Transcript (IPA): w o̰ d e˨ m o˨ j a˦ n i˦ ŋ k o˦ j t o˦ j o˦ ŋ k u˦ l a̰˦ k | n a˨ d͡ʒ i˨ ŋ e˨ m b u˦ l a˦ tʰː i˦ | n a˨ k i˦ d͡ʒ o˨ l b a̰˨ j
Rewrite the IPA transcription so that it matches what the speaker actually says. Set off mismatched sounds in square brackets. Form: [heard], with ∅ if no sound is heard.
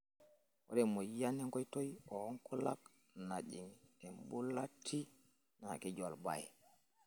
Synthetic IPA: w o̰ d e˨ m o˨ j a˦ n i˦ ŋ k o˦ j t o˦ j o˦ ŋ k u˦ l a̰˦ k | n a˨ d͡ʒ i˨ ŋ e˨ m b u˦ l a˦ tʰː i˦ | n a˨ k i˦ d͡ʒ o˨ l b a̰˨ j

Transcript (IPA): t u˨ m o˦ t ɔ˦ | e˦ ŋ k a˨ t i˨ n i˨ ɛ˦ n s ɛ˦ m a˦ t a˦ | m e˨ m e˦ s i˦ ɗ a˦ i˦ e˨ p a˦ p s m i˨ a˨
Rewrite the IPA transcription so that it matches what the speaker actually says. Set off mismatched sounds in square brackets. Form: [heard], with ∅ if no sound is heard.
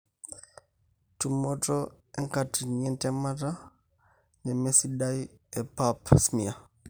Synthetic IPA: t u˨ m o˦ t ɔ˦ | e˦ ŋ k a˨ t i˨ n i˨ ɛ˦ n [t] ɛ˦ m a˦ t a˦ | [n] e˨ m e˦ s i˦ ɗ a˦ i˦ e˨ p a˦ p s m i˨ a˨

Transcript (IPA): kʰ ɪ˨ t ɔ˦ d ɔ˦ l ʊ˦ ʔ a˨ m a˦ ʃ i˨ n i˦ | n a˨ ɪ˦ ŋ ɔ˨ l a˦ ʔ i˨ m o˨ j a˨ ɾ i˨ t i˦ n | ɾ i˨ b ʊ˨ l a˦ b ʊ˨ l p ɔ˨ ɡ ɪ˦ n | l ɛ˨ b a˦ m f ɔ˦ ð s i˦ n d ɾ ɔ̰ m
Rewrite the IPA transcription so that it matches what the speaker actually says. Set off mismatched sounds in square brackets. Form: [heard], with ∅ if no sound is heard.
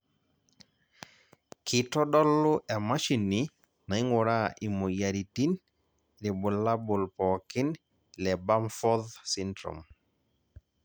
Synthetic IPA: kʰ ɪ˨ t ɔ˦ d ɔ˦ l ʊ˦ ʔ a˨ m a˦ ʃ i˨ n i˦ | n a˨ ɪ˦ ŋ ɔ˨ [ɾ] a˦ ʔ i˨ m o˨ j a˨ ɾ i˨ t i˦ n | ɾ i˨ b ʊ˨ l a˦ b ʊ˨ l p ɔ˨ [k] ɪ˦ n | l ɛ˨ b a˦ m f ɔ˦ ð s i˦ n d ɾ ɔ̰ m

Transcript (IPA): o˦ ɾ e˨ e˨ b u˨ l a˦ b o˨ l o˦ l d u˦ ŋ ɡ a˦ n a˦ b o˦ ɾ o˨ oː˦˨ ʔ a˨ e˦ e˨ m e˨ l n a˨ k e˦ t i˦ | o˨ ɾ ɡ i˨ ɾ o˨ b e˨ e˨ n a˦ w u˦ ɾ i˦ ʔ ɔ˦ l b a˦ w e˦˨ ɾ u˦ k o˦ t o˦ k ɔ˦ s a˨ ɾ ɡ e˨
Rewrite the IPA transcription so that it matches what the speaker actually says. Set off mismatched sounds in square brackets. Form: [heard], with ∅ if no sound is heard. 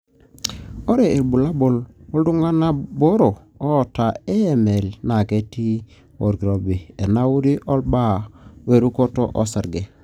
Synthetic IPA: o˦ ɾ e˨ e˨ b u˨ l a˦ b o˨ l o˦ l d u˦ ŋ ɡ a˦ n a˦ b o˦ ɾ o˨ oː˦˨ [t] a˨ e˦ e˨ m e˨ l n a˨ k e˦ t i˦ | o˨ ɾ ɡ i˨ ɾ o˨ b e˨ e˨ n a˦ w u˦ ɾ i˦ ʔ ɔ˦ l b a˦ w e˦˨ ɾ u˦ k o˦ t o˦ [ʔ] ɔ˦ s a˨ ɾ ɡ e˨

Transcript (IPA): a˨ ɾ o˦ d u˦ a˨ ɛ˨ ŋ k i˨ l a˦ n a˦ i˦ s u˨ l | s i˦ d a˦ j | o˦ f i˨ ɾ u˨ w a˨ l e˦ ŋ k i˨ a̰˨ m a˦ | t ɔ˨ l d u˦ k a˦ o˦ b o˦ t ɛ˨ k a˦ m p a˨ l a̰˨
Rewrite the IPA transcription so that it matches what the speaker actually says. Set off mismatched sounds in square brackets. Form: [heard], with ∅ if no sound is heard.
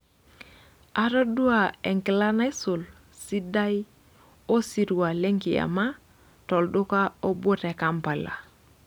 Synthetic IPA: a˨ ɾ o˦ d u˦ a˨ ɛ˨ ŋ k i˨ l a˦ n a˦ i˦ s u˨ l | s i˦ d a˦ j | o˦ [s] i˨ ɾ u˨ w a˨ l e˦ ŋ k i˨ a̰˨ m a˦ | t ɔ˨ l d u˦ k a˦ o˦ b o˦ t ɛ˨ k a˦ m p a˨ l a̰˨

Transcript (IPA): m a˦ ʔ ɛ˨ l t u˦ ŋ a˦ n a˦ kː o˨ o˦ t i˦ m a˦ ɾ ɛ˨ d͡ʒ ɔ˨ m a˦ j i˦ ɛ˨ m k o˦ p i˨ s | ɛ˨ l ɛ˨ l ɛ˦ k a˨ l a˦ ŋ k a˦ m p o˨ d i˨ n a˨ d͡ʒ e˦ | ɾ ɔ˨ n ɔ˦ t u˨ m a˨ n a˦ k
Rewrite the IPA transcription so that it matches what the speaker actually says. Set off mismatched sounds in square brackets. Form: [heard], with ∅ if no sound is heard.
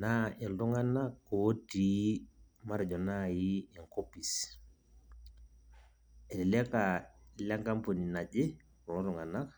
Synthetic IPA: [n] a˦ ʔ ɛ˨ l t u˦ ŋ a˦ n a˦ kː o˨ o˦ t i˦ m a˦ ɾ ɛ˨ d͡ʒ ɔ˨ [n] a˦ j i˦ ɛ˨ [ŋ] k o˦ p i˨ s | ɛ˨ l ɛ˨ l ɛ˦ k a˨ l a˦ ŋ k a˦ m p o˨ [n] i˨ n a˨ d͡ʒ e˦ | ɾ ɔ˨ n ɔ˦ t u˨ [ŋ] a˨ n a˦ k

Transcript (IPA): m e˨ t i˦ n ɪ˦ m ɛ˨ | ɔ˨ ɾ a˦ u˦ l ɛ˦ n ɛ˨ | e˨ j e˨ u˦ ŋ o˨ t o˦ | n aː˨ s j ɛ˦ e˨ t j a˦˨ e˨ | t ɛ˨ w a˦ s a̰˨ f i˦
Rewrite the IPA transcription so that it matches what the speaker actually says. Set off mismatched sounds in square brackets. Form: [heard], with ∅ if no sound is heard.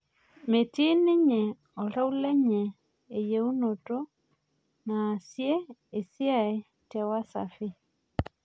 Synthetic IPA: m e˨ t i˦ n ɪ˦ [ɲ] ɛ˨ | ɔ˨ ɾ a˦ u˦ l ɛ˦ [ɲ] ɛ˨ | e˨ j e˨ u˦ [n] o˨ t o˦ | n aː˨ s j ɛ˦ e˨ [s] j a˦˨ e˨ | t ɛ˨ w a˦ s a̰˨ f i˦

